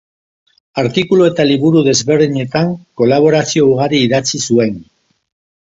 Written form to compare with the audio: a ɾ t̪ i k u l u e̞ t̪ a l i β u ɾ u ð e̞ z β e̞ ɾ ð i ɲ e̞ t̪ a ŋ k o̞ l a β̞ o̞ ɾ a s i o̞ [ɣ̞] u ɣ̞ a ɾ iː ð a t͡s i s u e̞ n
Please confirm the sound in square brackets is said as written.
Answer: no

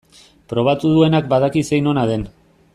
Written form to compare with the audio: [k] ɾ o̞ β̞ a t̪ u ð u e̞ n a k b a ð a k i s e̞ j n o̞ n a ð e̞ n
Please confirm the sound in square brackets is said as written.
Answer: no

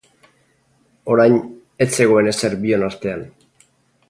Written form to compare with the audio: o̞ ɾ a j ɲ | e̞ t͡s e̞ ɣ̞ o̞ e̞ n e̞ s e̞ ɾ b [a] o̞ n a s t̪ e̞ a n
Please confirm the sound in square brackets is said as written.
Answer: no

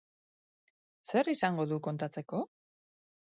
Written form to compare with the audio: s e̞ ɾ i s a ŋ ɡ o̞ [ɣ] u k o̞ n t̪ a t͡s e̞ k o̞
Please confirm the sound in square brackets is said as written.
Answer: no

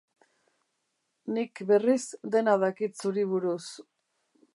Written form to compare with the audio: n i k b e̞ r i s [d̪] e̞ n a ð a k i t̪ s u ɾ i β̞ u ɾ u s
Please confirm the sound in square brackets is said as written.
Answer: yes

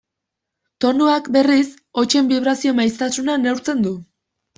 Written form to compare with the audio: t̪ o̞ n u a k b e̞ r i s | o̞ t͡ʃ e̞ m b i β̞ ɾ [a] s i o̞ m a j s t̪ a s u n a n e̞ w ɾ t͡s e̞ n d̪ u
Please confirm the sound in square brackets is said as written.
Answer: yes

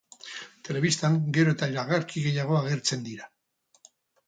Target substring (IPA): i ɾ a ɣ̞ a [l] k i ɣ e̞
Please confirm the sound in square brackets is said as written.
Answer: no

